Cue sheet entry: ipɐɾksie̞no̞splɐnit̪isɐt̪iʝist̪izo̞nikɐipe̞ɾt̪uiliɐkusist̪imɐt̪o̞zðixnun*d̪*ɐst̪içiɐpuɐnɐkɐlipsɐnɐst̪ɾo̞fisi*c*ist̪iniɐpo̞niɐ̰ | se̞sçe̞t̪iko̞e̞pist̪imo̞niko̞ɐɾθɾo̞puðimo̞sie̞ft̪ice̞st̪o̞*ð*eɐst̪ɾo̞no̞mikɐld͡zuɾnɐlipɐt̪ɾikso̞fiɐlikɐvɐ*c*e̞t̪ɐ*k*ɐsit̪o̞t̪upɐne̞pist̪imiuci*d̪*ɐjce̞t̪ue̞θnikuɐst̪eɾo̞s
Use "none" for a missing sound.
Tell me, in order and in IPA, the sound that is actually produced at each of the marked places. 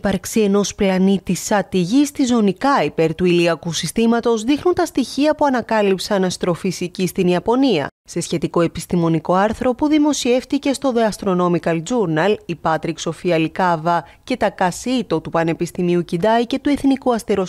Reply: t̪, c, ð, c, k, d̪

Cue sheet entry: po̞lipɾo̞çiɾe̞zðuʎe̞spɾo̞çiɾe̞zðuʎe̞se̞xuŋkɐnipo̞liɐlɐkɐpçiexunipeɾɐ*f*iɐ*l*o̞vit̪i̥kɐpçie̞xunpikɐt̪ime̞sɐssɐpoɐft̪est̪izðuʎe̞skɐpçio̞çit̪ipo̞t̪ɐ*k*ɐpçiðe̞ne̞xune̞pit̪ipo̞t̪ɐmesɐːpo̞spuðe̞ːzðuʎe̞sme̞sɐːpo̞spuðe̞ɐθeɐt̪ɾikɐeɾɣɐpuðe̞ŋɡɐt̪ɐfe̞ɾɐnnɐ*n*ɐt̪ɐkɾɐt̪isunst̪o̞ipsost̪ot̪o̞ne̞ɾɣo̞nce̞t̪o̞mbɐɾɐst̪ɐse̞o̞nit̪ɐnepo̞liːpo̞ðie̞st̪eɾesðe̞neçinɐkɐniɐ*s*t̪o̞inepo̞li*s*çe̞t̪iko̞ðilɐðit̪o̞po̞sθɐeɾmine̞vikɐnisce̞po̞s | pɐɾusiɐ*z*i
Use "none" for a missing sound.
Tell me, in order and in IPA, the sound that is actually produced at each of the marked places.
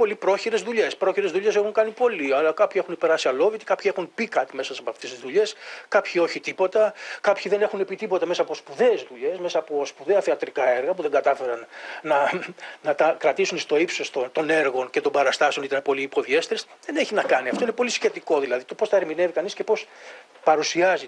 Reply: s, l, k, n, f, s, z

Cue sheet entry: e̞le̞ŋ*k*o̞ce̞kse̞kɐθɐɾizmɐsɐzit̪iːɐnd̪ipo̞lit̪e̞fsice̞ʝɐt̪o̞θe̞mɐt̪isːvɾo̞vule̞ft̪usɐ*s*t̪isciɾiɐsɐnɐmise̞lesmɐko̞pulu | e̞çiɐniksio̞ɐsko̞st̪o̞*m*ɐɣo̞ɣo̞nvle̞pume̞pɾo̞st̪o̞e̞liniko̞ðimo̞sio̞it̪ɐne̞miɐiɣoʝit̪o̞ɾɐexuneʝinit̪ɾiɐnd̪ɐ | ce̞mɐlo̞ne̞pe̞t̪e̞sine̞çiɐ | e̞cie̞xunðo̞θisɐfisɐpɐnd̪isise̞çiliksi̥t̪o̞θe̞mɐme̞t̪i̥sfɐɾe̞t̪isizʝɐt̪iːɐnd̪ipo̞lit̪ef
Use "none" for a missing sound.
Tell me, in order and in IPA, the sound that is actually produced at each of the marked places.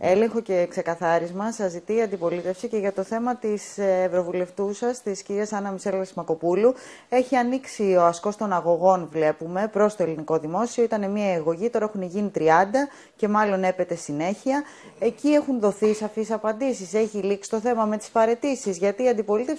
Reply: x, s, n

